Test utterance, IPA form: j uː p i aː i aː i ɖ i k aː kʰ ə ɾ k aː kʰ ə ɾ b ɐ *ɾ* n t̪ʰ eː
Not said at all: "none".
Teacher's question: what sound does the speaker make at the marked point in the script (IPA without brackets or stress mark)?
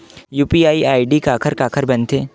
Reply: none